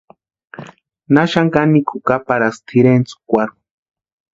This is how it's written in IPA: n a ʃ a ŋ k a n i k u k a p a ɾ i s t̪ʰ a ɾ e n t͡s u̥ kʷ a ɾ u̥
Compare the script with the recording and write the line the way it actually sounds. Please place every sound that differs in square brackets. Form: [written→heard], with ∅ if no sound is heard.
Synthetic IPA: n a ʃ a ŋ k a n i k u k a p a ɾ [i→a] s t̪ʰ [a→i] ɾ e n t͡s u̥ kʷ a ɾ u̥